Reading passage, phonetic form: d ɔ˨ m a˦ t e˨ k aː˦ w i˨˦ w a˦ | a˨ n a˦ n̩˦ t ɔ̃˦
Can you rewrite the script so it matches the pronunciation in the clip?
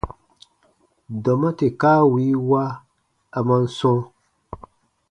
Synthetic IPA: d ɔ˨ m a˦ t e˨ k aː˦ w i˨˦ w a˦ | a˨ m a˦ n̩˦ s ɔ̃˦